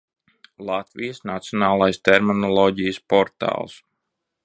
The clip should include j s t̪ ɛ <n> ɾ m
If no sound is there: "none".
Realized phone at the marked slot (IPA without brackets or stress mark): none